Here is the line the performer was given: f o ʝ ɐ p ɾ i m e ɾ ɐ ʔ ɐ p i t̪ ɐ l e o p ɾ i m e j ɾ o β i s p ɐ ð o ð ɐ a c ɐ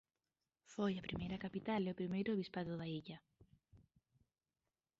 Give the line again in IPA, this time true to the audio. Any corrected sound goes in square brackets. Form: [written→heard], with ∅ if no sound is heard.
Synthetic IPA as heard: f o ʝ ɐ p ɾ i m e ɾ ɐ [ʔ→k] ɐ p i t̪ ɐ l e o p ɾ i m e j ɾ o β i s p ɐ ð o ð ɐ [a→i] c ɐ